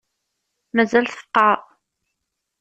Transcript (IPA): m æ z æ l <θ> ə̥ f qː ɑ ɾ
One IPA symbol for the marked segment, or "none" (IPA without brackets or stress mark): θ